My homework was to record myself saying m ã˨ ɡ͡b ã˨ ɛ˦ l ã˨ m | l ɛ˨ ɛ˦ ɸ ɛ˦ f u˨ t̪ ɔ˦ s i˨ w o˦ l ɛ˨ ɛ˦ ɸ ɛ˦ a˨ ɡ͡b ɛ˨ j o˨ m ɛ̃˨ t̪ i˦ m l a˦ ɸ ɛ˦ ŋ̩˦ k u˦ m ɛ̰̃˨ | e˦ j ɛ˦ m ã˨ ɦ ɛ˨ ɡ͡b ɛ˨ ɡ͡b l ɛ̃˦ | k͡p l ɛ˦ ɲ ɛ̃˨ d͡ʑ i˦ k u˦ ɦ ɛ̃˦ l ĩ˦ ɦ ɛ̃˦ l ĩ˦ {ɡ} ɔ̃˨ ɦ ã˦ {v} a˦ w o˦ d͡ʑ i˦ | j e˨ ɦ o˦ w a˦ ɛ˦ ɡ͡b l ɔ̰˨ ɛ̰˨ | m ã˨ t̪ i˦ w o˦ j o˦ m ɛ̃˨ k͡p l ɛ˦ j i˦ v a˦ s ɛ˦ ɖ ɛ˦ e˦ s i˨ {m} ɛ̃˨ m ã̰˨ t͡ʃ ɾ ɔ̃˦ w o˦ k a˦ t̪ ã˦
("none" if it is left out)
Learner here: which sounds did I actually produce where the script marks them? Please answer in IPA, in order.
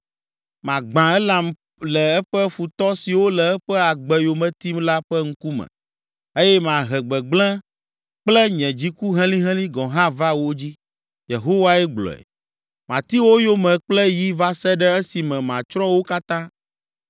ɡ, v, m

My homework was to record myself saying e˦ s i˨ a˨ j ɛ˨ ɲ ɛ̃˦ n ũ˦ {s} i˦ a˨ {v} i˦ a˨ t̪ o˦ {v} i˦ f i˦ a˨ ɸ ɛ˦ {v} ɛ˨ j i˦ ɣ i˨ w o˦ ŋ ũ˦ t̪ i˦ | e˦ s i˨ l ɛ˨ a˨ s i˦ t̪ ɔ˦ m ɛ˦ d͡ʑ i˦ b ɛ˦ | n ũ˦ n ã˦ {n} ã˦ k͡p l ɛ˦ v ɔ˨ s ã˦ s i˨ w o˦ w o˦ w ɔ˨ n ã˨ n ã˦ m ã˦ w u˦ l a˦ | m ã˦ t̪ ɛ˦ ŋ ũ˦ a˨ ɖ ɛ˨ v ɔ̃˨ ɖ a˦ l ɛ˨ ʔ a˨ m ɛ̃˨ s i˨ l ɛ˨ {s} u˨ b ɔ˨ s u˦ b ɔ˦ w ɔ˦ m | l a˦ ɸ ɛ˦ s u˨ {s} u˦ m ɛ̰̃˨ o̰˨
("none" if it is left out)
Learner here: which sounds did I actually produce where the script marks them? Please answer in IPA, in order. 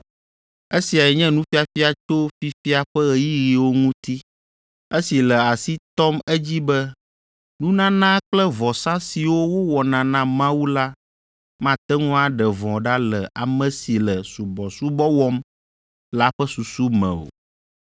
f, f, f, ɣ, n, s, s

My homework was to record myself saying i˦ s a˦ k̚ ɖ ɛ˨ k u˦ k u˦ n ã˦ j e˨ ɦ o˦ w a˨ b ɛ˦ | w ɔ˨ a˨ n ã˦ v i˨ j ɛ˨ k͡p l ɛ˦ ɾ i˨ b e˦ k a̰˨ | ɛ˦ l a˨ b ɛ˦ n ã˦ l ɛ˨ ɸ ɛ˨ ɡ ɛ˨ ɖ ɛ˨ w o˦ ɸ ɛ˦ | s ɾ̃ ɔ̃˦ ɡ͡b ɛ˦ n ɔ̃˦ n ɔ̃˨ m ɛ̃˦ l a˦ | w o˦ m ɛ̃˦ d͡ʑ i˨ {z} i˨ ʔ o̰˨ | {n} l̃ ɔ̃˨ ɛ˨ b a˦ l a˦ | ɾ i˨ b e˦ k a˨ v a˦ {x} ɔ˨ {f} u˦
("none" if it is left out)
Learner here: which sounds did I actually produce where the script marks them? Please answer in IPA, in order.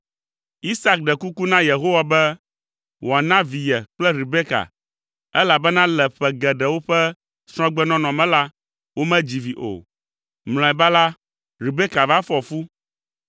v, m, f, f

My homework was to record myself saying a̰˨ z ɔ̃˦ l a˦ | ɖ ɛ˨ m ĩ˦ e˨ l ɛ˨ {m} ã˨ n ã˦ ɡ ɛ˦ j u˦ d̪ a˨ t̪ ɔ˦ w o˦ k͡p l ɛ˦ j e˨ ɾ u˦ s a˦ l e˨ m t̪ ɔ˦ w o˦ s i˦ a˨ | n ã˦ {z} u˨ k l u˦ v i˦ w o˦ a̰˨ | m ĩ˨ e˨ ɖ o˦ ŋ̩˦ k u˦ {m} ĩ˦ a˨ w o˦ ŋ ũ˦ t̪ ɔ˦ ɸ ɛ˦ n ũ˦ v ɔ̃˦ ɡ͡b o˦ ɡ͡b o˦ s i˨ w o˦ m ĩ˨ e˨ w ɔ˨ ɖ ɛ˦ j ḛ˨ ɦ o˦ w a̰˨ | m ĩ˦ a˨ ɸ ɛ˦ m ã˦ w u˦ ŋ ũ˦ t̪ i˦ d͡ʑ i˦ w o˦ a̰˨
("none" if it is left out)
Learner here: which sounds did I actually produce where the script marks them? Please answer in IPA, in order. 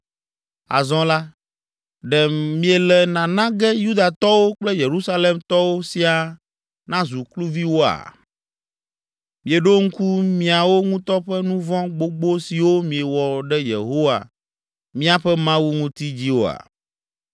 n, z, m

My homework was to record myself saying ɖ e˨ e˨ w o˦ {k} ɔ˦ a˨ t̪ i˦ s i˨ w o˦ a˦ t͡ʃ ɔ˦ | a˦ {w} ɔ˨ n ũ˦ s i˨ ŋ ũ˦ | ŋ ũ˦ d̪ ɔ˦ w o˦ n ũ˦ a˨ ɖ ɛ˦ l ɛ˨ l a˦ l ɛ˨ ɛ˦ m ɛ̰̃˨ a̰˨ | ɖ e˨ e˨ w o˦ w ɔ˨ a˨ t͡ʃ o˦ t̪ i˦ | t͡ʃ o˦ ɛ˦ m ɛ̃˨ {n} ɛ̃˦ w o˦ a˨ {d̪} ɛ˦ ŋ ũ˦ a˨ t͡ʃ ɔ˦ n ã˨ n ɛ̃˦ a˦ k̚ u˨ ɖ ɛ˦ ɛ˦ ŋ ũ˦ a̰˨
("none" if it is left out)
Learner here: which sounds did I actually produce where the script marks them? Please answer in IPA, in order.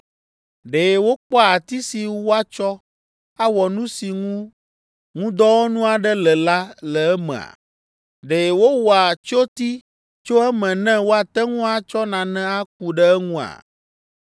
k͡p, w, n, t̪

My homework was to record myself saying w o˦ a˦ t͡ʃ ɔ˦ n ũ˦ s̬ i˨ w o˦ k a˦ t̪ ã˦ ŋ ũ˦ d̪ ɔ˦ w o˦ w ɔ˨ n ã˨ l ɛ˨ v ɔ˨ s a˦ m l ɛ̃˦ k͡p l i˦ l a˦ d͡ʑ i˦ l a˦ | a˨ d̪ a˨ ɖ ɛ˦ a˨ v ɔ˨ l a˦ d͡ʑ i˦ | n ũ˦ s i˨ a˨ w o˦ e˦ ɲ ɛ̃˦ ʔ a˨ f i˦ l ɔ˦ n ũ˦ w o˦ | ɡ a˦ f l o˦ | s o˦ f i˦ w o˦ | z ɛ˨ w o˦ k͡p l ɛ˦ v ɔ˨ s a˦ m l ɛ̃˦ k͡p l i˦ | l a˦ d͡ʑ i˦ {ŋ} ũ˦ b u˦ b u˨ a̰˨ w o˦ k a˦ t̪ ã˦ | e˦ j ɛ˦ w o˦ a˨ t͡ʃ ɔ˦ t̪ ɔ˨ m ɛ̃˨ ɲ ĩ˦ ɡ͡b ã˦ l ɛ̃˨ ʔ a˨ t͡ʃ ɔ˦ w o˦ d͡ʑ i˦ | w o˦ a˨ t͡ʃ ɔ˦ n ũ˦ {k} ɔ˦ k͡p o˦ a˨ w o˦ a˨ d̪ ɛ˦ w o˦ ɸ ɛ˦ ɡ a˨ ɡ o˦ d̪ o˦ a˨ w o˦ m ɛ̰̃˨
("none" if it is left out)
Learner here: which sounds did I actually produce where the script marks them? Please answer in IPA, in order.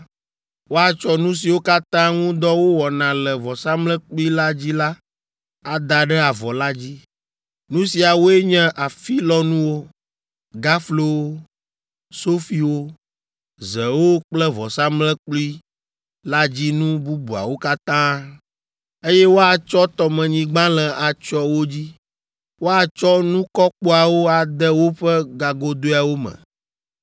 n, k

